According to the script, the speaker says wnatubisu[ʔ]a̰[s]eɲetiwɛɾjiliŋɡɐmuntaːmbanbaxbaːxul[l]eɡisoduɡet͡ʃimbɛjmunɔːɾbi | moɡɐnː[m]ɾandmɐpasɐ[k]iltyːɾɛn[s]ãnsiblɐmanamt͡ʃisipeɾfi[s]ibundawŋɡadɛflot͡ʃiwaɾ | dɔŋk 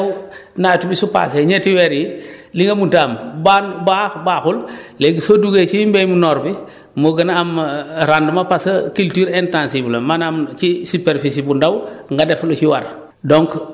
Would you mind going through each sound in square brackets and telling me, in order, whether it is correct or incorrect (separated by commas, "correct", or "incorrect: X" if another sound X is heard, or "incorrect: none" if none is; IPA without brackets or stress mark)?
incorrect: p, correct, correct, correct, correct, incorrect: t, correct